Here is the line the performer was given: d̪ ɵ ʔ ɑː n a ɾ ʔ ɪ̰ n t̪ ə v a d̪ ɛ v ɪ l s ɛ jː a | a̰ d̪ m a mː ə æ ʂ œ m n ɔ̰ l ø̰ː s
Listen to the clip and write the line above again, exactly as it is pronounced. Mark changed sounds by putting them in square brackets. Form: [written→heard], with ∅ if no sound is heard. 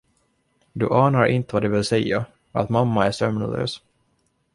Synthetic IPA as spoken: d̪ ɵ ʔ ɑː n a ɾ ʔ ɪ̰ n t̪ ə v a d̪ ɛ v ɪ l s ɛ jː a | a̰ [d̪→t̪] m a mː [ə→a] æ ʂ œ m n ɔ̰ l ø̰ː s